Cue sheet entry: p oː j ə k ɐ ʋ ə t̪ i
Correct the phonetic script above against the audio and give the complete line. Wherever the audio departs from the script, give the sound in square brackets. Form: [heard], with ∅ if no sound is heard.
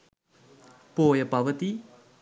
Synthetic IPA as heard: p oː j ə [p] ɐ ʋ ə t̪ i